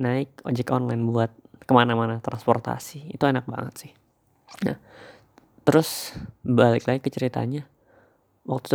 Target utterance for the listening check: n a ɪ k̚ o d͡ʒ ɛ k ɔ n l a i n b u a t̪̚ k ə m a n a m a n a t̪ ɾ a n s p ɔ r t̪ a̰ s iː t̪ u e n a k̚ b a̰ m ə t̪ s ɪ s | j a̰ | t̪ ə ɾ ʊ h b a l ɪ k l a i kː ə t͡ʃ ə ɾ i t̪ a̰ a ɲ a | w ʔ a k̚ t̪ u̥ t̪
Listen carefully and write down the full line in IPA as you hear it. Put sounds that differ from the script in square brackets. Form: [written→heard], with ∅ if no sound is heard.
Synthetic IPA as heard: n a ɪ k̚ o d͡ʒ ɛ k ɔ n l a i n b u a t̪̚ k ə m a n a m a n a t̪ ɾ a n s p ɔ r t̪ a̰ s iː t̪ u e n a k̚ b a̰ [m→ŋ] ə t̪ s ɪ [s→h] | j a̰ | t̪ ə ɾ ʊ [h→s] b a l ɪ k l a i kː ə t͡ʃ ə ɾ i t̪ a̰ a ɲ a | w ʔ a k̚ t̪ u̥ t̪